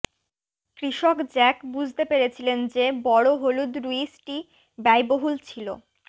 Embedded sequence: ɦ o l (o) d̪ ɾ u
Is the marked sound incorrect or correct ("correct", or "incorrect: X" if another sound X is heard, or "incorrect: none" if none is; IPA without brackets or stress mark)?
incorrect: u